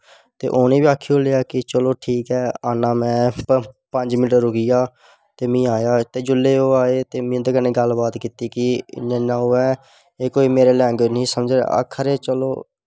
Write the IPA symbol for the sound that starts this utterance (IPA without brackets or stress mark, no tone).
t̪